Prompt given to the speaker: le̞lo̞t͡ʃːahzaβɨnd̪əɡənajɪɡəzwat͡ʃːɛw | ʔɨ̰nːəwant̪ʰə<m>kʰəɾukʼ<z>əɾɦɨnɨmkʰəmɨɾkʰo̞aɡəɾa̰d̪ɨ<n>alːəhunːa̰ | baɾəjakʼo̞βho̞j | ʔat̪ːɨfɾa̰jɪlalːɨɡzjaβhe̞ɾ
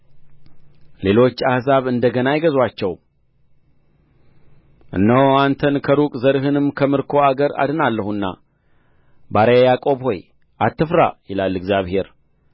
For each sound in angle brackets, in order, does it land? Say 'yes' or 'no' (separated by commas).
no, yes, yes